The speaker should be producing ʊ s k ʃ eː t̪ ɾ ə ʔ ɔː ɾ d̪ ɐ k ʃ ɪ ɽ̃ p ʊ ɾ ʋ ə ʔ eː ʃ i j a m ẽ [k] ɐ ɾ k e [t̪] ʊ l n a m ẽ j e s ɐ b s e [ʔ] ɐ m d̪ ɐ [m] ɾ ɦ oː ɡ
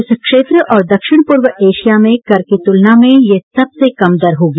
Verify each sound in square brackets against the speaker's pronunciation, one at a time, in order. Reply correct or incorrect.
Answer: correct, correct, incorrect: k, incorrect: none

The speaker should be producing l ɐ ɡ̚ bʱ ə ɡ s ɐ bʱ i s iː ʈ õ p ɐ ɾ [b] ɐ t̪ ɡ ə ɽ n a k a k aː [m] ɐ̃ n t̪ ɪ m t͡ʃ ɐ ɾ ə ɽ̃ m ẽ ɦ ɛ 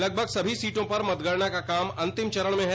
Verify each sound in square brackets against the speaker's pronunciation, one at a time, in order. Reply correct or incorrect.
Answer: incorrect: m, correct

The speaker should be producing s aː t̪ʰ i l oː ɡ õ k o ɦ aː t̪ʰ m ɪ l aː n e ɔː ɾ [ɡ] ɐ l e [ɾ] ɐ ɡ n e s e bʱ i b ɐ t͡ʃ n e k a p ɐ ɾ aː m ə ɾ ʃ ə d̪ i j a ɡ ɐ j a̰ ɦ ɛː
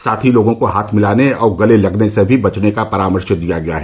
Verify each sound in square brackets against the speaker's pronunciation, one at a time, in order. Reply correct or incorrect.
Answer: correct, incorrect: l

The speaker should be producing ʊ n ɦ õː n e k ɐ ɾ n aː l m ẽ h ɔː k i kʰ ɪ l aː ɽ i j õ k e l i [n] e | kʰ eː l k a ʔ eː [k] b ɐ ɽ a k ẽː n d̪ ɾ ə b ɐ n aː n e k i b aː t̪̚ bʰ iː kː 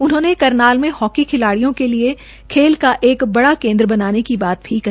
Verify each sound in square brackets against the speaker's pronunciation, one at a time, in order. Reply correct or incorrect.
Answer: incorrect: none, correct

